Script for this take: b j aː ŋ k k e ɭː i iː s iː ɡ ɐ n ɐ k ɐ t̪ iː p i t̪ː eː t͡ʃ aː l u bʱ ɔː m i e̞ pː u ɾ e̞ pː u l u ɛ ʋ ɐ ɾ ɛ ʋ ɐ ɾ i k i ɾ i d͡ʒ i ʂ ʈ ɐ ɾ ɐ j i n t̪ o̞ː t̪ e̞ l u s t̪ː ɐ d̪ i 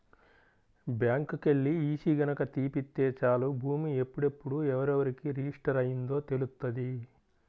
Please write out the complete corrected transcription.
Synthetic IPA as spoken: b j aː ŋ k k e ɭː i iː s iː ɡ ɐ n ɐ k ɐ t̪ iː p i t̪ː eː t͡ʃ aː l u bʱ uː m i e̞ pː u ɽ e̞ pː u ɽ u ɛ ʋ ɐ ɾ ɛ ʋ ɐ ɾ i k i ɾ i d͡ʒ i ʂ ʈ ɐ ɾ ɐ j i n d̪ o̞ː t̪ e̞ l u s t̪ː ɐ d̪ i